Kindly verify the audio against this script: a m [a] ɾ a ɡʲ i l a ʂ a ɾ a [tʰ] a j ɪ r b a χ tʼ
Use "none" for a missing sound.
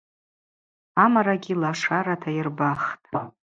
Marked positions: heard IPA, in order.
a, tʰ

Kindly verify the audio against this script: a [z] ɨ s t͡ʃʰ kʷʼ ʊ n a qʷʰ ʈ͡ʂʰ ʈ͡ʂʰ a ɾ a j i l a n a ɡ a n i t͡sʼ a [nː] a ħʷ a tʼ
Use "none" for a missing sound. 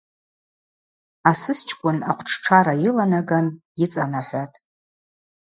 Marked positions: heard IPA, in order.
s, n

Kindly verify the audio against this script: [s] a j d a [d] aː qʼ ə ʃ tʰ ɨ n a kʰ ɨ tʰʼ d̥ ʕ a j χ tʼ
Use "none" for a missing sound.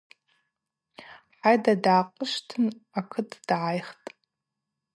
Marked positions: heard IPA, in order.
ħ, d

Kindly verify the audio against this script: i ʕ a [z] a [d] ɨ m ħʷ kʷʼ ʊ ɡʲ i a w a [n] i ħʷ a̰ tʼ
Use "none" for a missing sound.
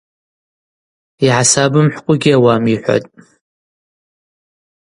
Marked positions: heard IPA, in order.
s, b, m

